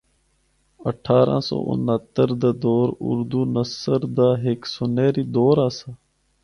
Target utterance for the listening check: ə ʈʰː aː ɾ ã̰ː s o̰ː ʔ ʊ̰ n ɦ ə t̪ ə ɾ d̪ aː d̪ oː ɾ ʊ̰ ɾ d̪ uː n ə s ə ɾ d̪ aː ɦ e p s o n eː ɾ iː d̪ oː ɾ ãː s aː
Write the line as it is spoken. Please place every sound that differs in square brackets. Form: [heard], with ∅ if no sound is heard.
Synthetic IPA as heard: ə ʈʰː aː ɾ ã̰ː s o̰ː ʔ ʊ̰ n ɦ ə t̪ ə ɾ d̪ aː d̪ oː ɾ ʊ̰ ɾ d̪ uː n ə s ə ɾ d̪ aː ɦ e [k] s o n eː ɾ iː d̪ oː ɾ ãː s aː